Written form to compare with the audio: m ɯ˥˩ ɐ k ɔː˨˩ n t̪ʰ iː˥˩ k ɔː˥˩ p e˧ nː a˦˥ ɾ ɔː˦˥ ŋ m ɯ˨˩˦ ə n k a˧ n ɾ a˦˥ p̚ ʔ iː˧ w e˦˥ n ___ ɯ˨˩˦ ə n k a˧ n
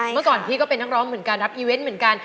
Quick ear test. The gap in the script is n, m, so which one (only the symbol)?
m